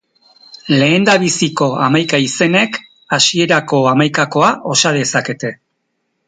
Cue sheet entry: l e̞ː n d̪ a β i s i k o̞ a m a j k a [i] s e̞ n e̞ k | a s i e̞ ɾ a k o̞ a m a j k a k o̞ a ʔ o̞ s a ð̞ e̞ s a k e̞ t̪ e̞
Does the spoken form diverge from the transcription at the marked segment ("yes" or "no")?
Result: no